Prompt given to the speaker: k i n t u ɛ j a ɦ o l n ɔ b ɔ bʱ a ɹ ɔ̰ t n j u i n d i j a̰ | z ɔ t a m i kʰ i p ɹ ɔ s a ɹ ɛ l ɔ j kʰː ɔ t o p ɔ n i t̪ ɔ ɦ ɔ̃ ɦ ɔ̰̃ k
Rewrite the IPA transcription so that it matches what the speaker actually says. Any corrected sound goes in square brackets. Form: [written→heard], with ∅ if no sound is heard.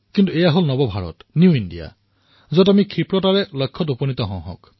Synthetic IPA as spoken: k i n t u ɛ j a ɦ o l n ɔ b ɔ bʱ a ɹ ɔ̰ t n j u i n d i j a̰ | z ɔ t a m i kʰ i p ɹ ɔ [s→t] a ɹ ɛ l ɔ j kʰː ɔ t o p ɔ n i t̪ ɔ ɦ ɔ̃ ɦ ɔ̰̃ k